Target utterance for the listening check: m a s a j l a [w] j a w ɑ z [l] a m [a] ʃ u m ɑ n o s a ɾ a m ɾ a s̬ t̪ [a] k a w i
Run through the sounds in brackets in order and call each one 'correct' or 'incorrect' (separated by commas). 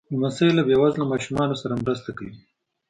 incorrect, correct, incorrect, correct